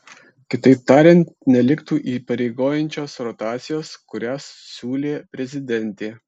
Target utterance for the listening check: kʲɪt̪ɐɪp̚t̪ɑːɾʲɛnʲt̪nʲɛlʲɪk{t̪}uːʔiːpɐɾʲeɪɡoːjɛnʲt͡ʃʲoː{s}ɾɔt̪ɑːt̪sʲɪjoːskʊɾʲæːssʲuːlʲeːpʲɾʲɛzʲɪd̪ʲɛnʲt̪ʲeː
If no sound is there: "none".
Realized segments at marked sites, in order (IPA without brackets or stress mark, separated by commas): t̪, s